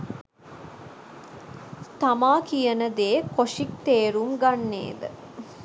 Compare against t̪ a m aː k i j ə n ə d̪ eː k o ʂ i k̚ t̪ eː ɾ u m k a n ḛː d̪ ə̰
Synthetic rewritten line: t̪ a m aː k i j ə n ə d̪ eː k o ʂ i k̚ t̪ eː ɾ u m ɡ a nː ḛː d̪ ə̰